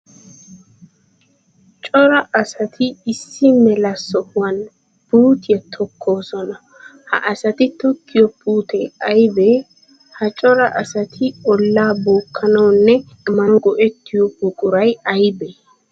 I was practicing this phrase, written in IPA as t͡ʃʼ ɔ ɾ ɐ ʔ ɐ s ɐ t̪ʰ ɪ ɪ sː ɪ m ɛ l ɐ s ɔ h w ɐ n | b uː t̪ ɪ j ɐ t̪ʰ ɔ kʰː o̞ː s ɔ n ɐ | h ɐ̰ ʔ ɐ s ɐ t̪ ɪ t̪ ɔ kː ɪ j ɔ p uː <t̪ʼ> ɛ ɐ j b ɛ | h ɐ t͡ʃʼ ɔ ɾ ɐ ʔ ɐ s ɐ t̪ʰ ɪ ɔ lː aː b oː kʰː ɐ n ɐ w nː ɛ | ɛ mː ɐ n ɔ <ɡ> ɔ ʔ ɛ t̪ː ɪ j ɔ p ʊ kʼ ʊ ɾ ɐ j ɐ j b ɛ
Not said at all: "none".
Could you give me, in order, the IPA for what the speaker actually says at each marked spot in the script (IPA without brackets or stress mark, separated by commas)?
t̪, ɡ